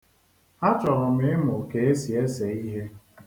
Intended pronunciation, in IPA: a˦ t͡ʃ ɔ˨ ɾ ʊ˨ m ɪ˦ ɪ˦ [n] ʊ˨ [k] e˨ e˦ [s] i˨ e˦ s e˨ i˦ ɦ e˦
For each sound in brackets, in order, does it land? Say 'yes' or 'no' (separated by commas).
no, yes, yes